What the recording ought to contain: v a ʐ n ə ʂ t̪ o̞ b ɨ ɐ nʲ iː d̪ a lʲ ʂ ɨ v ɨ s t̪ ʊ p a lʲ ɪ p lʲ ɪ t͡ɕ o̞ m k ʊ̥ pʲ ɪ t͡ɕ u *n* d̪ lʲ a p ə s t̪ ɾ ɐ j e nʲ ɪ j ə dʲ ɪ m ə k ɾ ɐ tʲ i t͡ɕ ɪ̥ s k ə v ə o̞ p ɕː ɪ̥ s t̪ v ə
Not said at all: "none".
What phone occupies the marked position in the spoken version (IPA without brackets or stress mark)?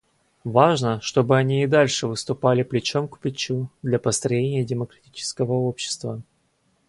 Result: none